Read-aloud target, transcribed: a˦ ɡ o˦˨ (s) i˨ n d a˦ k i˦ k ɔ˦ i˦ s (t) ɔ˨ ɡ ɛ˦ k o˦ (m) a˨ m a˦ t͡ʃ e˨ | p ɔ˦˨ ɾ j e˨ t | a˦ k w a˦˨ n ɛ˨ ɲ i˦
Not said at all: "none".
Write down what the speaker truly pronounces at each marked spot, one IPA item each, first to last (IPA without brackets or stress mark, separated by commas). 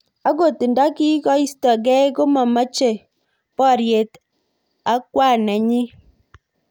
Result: t, t, m